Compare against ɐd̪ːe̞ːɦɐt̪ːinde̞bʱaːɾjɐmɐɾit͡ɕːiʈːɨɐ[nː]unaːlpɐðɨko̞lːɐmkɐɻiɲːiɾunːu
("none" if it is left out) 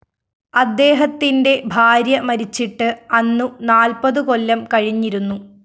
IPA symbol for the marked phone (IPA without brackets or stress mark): nː